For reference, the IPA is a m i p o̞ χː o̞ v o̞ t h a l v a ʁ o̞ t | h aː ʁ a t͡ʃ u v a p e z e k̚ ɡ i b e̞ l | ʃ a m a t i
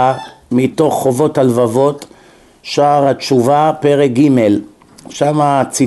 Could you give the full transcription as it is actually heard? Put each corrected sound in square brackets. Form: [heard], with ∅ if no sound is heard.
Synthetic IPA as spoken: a m i [t] o̞ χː o̞ v o̞ t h a l v a [v] o̞ t | [ʃ] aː ʁ a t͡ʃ u v a p e [ʁ] e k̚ ɡ i [m] e̞ l | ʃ a m a [t͡s] i